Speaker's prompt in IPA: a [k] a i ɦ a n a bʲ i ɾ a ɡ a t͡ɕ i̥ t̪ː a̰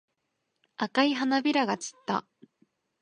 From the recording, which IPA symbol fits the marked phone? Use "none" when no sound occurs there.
k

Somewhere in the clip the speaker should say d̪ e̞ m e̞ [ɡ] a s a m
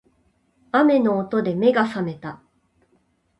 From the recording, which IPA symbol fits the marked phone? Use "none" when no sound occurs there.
ɡ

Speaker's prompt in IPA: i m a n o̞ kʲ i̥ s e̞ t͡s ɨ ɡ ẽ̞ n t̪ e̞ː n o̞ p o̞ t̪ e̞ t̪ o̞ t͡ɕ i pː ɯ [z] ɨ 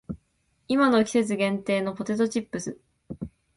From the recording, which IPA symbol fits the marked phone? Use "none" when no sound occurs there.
s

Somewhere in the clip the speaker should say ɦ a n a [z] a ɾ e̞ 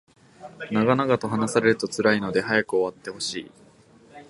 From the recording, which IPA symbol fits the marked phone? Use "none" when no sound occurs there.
s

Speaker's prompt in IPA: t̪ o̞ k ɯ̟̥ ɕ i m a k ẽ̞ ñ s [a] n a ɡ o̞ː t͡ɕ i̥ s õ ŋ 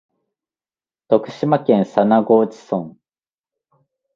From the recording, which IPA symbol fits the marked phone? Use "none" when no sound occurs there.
a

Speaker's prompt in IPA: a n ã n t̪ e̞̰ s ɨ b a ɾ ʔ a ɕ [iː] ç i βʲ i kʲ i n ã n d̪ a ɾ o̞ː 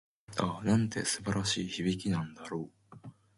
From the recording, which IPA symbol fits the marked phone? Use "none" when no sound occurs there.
iː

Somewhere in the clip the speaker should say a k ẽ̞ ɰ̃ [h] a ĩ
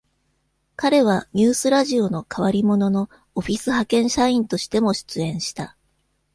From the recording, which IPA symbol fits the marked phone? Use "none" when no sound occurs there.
ɕ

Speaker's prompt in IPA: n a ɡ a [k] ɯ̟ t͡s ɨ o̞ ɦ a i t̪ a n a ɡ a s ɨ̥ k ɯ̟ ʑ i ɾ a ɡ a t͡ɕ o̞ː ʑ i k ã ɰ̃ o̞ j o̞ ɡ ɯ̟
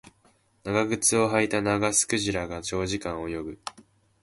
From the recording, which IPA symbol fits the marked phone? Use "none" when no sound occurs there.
ɡ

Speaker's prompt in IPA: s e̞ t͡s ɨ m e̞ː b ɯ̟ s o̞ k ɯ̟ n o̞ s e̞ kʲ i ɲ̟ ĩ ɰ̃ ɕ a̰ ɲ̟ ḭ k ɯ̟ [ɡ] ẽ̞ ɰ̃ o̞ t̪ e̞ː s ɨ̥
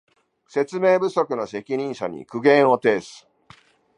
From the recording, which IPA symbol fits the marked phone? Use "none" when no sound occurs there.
ɡ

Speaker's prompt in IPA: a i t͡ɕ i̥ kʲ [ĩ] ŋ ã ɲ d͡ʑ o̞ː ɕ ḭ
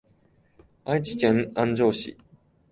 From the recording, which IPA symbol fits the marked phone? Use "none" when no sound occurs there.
ẽ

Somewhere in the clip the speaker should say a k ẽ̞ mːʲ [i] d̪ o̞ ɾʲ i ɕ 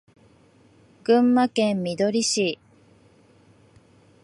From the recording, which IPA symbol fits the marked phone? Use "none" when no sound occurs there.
i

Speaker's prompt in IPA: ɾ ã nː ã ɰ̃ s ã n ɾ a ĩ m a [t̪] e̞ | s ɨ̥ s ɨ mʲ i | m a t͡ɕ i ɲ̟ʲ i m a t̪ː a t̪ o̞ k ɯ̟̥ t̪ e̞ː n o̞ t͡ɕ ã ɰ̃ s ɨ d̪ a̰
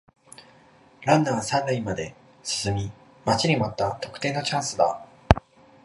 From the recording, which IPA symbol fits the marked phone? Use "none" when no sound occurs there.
d̪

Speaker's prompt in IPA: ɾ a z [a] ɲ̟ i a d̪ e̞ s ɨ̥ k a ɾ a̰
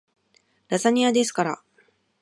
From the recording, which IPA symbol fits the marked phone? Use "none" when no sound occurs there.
a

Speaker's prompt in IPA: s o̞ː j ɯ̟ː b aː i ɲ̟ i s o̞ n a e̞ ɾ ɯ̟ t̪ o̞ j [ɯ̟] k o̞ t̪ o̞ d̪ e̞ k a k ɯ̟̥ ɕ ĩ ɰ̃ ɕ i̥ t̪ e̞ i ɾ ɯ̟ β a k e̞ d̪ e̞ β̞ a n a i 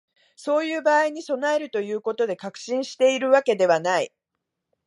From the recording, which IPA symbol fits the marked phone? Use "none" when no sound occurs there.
ɯ̟ː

